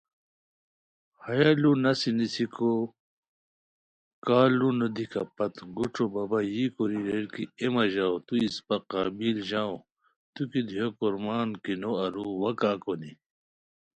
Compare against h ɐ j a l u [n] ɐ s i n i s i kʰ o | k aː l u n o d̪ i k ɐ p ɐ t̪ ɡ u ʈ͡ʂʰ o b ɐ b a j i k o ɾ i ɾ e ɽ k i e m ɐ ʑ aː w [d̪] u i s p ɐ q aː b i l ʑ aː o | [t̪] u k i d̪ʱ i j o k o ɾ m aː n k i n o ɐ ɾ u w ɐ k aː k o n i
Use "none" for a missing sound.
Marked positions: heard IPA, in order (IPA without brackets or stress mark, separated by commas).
n, t̪, t̪